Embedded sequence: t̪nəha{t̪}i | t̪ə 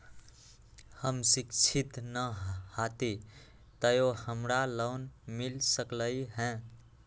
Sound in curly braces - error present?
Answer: no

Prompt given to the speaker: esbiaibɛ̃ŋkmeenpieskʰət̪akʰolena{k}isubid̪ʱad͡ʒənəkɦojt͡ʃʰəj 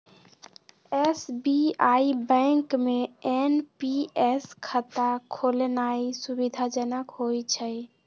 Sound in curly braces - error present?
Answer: yes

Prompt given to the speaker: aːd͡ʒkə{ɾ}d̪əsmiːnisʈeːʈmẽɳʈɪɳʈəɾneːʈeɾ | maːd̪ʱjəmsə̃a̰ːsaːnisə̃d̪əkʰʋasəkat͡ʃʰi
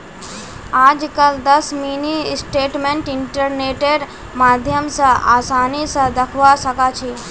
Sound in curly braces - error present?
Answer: yes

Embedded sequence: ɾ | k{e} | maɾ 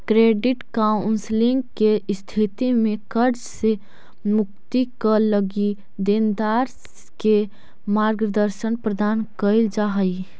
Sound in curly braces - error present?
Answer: no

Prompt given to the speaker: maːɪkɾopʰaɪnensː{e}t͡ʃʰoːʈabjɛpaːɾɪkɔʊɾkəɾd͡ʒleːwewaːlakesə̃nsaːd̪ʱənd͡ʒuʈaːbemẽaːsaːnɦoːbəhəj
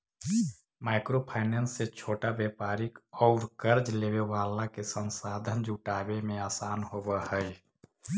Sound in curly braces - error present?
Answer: no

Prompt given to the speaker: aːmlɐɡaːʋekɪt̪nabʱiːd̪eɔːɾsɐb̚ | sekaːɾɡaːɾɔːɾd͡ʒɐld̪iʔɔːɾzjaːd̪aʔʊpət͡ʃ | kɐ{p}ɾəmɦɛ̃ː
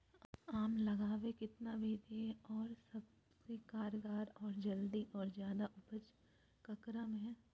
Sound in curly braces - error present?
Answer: yes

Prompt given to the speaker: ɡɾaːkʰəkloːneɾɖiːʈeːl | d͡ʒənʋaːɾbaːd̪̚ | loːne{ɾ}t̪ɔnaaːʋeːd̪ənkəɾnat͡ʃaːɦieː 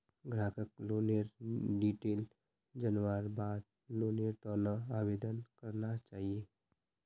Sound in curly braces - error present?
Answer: no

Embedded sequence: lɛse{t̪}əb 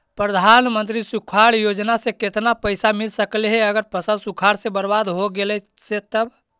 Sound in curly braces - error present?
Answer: no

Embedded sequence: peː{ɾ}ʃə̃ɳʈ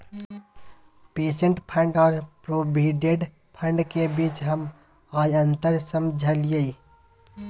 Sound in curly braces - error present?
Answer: yes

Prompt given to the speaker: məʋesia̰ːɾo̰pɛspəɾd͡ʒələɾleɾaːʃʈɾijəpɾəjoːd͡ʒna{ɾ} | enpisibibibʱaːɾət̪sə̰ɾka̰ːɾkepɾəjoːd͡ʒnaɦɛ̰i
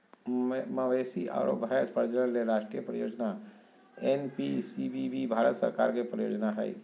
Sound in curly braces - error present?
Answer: yes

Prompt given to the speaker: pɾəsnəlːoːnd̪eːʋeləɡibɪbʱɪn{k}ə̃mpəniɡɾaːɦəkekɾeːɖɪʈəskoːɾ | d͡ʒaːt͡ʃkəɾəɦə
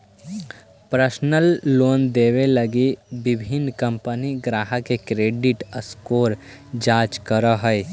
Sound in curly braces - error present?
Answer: no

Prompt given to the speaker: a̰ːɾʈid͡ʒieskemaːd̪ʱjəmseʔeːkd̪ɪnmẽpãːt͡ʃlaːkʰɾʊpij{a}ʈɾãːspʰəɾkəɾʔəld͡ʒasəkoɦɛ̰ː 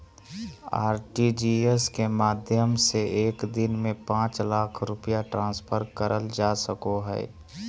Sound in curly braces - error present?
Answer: no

